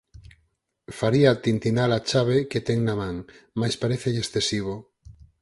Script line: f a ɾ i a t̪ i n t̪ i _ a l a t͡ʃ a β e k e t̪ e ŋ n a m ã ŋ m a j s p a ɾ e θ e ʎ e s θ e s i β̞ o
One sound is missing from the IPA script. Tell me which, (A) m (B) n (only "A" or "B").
B